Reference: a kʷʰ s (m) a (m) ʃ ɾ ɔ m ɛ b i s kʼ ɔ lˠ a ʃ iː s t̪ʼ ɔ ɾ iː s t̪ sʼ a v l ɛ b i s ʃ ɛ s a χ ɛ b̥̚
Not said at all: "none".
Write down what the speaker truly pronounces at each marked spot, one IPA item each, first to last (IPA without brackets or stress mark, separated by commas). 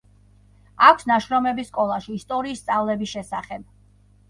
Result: n, none